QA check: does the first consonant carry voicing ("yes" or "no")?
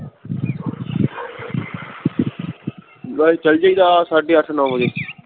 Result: no